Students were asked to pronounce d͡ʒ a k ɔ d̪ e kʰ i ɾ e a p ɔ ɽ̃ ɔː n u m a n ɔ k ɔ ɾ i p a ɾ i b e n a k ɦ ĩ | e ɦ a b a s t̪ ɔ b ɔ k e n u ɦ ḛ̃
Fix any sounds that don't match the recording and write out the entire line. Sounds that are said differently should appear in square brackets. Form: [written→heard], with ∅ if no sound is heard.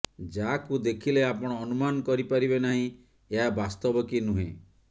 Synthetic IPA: d͡ʒ a k [ɔ→u] d̪ e kʰ i [ɾ→l] e a p ɔ ɽ̃ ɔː n u m a n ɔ k ɔ ɾ i p a ɾ i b e n a [k→∅] ɦ ĩ | e ɦ a b a s t̪ ɔ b ɔ k [e→i] n u ɦ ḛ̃